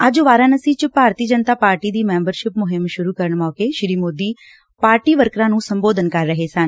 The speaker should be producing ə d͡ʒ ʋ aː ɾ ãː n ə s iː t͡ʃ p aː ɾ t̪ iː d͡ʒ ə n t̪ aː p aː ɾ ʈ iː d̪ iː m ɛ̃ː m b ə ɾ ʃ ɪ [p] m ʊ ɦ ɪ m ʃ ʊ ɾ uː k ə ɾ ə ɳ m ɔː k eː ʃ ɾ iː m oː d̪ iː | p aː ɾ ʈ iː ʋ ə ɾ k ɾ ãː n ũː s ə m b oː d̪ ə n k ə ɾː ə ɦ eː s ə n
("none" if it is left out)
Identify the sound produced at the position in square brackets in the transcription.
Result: p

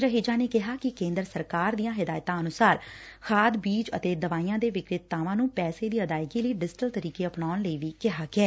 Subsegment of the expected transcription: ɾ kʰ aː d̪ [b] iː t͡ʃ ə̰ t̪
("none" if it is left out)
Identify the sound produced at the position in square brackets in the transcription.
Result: b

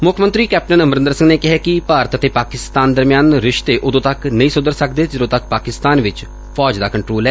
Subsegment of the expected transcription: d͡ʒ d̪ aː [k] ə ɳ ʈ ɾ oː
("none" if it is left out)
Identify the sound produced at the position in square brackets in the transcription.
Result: k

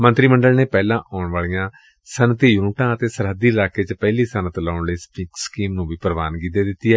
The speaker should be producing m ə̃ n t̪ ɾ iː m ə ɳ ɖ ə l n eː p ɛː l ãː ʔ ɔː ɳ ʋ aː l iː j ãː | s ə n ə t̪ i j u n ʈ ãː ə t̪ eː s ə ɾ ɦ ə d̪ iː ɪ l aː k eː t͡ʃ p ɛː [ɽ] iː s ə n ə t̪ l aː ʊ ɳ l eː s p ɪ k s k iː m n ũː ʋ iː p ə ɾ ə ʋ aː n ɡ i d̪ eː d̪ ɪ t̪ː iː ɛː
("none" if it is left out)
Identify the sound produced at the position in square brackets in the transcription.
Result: l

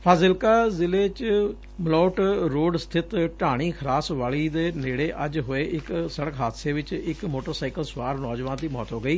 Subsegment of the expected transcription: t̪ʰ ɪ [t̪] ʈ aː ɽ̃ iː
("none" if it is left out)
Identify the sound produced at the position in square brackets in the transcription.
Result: t̪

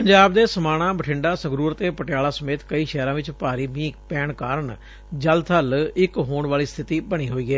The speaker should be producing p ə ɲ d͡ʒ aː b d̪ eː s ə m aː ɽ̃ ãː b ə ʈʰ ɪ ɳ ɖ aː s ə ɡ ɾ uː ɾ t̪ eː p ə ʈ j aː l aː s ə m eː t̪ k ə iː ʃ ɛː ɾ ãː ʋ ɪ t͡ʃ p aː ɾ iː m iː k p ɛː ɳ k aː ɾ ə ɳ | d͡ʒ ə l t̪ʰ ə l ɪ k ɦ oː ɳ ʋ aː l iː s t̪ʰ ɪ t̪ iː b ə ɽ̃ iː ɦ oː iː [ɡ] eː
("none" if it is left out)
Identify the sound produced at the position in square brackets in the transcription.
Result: ɡ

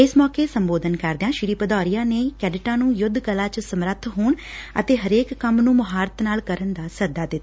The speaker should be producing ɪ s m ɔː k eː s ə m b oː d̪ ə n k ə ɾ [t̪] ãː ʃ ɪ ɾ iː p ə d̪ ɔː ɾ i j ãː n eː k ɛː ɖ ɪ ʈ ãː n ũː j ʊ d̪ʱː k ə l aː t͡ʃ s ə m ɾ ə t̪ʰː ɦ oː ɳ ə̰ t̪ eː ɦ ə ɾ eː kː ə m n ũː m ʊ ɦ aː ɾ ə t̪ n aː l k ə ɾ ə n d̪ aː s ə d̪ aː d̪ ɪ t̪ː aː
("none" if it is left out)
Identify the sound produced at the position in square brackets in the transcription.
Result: d̪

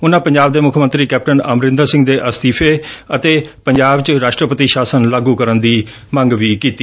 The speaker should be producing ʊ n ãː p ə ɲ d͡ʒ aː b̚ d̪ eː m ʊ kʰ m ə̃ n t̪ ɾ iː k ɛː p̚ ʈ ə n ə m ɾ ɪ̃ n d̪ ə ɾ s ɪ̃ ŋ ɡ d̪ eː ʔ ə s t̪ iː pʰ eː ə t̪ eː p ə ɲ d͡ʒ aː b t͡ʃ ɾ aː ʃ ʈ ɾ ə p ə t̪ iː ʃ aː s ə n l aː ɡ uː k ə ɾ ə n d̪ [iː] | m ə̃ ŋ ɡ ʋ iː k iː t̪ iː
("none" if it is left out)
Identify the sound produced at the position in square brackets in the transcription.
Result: iː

